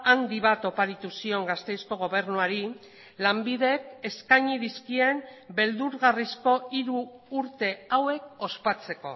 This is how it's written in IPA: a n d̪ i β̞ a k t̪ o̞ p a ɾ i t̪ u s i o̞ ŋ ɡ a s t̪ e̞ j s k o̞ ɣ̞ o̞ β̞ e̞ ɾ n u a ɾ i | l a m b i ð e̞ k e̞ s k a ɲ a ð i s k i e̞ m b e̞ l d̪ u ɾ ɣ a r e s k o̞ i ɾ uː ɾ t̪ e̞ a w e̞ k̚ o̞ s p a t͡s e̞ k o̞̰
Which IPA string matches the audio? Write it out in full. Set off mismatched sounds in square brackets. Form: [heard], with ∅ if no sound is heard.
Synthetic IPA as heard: a n d̪ i β̞ a [∅] t̪ o̞ p a ɾ i t̪ u s i o̞ ŋ ɡ a s t̪ e̞ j s k o̞ ɣ̞ o̞ β̞ e̞ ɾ n u a ɾ i | l a m b i ð e̞ k e̞ s k a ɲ [i] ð i s k i e̞ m b e̞ l d̪ u ɾ ɣ a r [i] s k o̞ i ɾ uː ɾ t̪ e̞ a w e̞ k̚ o̞ s p a t͡s e̞ k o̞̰

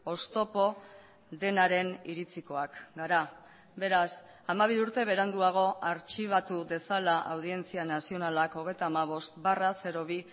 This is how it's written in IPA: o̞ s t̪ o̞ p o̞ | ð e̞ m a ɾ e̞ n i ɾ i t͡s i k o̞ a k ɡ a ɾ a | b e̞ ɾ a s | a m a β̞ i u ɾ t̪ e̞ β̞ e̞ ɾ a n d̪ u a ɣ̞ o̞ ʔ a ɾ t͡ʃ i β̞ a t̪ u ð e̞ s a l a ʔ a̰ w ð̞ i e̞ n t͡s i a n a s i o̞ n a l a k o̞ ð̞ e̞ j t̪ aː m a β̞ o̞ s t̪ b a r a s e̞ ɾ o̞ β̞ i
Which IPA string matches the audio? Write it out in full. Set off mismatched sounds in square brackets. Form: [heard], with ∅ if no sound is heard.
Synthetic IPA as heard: o̞ s t̪ o̞ p o̞ | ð e̞ [n] a ɾ e̞ n i ɾ i t͡s i k o̞ a k ɡ a ɾ a | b e̞ ɾ a s | a m a β̞ i u ɾ t̪ e̞ β̞ e̞ ɾ a n d̪ u a ɣ̞ o̞ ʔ a ɾ t͡ʃ i β̞ a t̪ u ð e̞ s a l a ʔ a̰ w ð̞ i e̞ n t͡s i a n a s i o̞ n a l a k o̞ [ɣ̞] e̞ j t̪ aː m a β̞ o̞ s t̪ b a r a s e̞ ɾ o̞ β̞ i

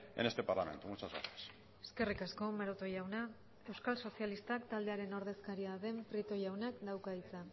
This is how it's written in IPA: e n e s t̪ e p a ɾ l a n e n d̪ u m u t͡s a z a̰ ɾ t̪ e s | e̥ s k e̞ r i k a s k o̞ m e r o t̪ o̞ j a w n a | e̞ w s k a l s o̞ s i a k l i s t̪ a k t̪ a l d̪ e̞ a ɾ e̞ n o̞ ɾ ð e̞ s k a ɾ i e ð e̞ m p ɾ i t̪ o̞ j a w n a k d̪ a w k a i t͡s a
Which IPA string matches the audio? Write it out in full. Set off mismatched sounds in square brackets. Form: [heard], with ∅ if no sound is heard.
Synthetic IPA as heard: e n e s t̪ e p a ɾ l a [m] e n [t̪] u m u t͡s a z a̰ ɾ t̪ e s | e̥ s k e̞ r i k a s k o̞ m e [ɾ] o t̪ o̞ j a w n a | e̞ w s k a l s o̞ s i a [∅] l i s t̪ a k t̪ a l d̪ e̞ a ɾ e̞ n o̞ ɾ ð e̞ s k a ɾ i [a] ð e̞ m p ɾ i t̪ o̞ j a w n a k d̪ a w k a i t͡s a

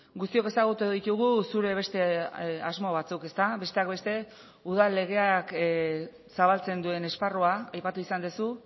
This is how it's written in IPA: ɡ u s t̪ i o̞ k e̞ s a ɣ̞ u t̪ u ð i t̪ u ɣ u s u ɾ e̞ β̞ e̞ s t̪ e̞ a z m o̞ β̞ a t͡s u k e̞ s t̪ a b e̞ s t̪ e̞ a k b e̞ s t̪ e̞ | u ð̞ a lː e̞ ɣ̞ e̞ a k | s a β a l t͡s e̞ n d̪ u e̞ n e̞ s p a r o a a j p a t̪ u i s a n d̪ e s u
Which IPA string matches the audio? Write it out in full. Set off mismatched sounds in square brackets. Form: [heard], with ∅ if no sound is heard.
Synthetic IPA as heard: ɡ u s t̪ i o̞ k e̞ s a ɣ̞ u t̪ u ð i t̪ u ɣ u s u ɾ e̞ β̞ e̞ s t̪ e̞ a z m o̞ β̞ a t͡s u k e̞ s t̪ a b e̞ s t̪ e̞ a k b e̞ s t̪ e̞ | u ð̞ a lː e̞ ɣ̞ e̞ a k | s a β a l t͡s e̞ n d̪ u e̞ n e̞ s p a r o a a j p a t̪ u i s a n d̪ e s u

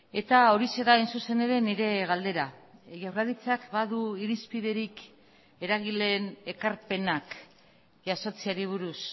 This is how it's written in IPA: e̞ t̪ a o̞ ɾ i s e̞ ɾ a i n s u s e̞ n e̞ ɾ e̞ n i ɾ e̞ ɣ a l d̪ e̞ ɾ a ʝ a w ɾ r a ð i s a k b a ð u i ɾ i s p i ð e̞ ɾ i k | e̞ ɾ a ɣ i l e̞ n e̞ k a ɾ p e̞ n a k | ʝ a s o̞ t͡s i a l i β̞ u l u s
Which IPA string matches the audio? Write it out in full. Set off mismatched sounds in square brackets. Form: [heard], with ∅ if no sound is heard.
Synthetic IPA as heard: e̞ t̪ a o̞ ɾ i s e̞ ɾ a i n s u s e̞ n e̞ ɾ e̞ n i ɾ e̞ ɣ a l d̪ e̞ ɾ a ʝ a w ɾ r a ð i [t͡s] a k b a ð u i ɾ i s p i ð e̞ ɾ i k | e̞ ɾ a ɣ i l e̞ n e̞ k a ɾ p e̞ n a k | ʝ a s o̞ t͡s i a [ɾ] i β̞ u [ɾ] u s

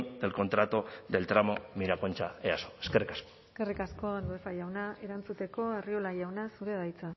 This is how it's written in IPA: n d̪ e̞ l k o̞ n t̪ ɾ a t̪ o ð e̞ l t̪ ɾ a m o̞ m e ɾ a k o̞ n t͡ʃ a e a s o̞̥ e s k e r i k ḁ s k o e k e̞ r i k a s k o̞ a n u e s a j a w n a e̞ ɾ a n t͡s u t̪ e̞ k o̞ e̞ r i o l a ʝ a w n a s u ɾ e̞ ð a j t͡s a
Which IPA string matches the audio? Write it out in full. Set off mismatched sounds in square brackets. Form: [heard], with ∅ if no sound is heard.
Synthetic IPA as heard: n d̪ e̞ l k o̞ n t̪ ɾ a t̪ o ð e̞ l t̪ ɾ a m o̞ m [i] ɾ a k o̞ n t͡ʃ a e a s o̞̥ e s k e r i k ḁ s k o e k e̞ r i k a s k o̞ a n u e [f] a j a w n a e̞ ɾ a n t͡s u t̪ e̞ k o̞ e̞ r i o l a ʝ a w n a s u ɾ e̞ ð a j t͡s a

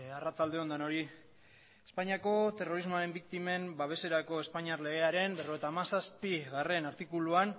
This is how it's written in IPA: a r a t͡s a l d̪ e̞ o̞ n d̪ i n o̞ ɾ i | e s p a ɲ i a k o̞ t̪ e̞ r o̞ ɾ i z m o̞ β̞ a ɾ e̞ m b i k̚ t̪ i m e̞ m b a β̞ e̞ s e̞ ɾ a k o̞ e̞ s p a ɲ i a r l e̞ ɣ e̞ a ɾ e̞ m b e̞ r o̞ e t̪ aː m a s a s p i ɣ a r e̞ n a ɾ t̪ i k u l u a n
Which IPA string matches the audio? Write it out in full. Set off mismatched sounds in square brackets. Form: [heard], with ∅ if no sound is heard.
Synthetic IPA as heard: a r a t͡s a l d̪ e̞ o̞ n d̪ [a] n o̞ ɾ i | e s p a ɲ i a k o̞ t̪ e̞ r o̞ ɾ i z m o̞ [∅] a ɾ e̞ m b i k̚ t̪ i m e̞ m b a β̞ e̞ s e̞ ɾ a k o̞ e̞ s p a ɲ i a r l e̞ ɣ e̞ a ɾ e̞ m b e̞ r o̞ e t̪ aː m a s a s p i ɣ a r e̞ n a ɾ t̪ i k u l u a n

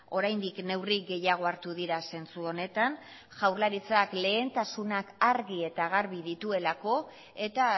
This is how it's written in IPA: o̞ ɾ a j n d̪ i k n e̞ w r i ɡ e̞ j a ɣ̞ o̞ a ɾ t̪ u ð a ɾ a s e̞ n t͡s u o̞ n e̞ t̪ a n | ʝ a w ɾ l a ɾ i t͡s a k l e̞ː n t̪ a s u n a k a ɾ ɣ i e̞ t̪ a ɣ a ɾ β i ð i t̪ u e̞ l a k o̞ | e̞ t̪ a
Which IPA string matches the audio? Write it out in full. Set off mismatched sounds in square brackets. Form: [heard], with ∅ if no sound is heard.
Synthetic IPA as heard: o̞ ɾ a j n d̪ i k n e̞ w r i ɡ e̞ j a ɣ̞ o̞ a ɾ t̪ u ð [i] ɾ a s e̞ n t͡s u o̞ n e̞ t̪ a n | ʝ a w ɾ l a ɾ i t͡s a k l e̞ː n t̪ a s u n a k a ɾ ɣ i e̞ t̪ a ɣ a ɾ β i ð i t̪ u e̞ l a k o̞ | e̞ t̪ a

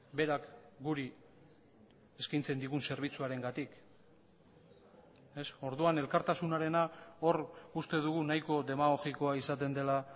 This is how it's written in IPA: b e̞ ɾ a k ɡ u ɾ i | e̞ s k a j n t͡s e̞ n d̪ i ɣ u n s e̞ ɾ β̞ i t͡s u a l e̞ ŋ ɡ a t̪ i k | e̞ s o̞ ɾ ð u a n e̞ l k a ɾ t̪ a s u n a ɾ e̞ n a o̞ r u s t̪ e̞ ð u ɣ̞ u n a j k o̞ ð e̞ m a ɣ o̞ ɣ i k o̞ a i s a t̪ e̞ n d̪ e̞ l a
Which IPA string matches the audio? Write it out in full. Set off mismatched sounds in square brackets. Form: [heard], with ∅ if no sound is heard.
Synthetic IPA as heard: b e̞ ɾ a k ɡ u ɾ i | e̞ s k a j n t͡s e̞ n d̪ i ɣ u n s e̞ ɾ β̞ i t͡s u a [ɾ] e̞ ŋ ɡ a t̪ i k | e̞ s o̞ ɾ ð u a n e̞ l k a ɾ t̪ a s u n a ɾ e̞ n a o̞ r u s t̪ e̞ ð u ɣ̞ u n a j k o̞ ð e̞ m a ɣ o̞ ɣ i k o̞ a i s a t̪ e̞ n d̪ e̞ l a

